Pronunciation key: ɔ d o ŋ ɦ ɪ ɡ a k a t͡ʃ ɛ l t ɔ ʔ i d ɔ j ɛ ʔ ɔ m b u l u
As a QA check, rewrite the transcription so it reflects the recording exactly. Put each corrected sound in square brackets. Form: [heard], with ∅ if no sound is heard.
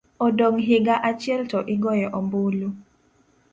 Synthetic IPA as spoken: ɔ d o ŋ ɦ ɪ ɡ a [ʔ] a t͡ʃ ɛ l t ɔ ʔ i [ɡ] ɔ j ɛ ʔ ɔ m b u l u